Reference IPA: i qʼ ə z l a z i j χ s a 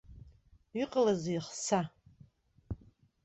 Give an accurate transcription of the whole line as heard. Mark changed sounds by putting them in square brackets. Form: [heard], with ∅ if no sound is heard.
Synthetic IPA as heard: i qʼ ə [∅] l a z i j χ s a